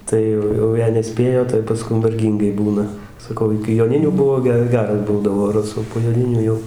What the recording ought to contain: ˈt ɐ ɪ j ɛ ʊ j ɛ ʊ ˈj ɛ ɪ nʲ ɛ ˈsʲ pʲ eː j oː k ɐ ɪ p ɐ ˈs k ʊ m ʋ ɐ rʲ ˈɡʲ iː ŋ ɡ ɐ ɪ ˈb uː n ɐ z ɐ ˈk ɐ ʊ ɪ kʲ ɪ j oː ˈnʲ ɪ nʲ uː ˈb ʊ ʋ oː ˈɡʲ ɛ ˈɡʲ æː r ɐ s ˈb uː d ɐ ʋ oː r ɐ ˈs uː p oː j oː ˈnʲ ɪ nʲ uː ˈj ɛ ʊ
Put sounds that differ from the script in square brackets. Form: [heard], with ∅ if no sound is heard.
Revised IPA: ˈt ɐ ɪ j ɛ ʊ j ɛ ʊ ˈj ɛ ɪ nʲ ɛ ˈsʲ pʲ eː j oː [t] ɐ ɪ p ɐ ˈs k ʊ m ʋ ɐ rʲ ˈɡʲ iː ŋ ɡ ɐ ɪ ˈb uː n ɐ [s] ɐ ˈk ɐ ʊ ɪ kʲ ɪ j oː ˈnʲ ɪ nʲ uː ˈb ʊ ʋ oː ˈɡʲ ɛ ˈɡʲ æː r ɐ s ˈb uː d ɐ ʋ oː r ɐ ˈs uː p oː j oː ˈnʲ ɪ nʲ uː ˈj ɛ ʊ